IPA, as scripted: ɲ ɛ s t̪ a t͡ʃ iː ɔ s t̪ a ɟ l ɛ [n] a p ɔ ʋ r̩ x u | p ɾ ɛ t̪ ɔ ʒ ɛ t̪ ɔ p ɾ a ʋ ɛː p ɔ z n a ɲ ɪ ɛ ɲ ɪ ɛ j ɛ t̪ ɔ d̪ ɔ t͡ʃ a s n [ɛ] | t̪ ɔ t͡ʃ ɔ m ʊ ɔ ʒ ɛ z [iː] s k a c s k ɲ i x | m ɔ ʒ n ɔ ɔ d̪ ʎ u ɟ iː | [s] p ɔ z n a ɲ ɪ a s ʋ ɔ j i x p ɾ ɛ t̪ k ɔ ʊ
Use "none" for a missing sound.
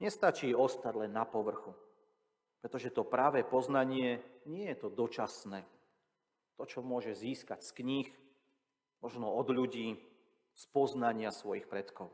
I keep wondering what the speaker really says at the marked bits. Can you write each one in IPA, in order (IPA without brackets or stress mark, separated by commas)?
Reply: nː, ɛː, iː, s